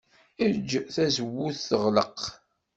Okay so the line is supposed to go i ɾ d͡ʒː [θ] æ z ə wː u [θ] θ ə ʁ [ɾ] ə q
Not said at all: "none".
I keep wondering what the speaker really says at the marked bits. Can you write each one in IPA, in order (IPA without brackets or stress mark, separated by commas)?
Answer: θ, θ, l